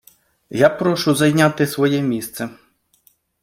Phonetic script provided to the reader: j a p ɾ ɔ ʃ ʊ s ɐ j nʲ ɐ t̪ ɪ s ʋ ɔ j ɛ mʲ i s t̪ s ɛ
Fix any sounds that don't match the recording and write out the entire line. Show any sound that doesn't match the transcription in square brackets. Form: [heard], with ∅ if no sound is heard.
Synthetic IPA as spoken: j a p ɾ ɔ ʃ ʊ [z] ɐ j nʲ [a] t̪ ɪ s ʋ ɔ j ɛ mʲ i s t̪ s ɛ